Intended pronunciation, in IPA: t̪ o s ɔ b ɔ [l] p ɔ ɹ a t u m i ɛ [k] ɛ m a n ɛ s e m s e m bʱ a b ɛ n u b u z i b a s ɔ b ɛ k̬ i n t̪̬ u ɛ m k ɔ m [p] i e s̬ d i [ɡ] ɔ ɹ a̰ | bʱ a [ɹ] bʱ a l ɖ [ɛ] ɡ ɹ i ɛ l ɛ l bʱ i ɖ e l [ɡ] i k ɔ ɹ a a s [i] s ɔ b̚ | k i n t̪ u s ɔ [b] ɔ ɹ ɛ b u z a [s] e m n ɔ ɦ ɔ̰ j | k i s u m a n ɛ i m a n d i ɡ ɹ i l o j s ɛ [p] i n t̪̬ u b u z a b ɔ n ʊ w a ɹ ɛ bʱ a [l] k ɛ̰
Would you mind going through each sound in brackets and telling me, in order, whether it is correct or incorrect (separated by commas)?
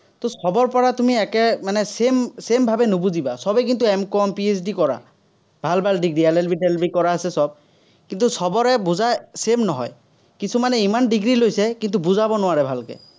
incorrect, correct, correct, incorrect, incorrect, incorrect, incorrect, incorrect, correct, correct, incorrect, correct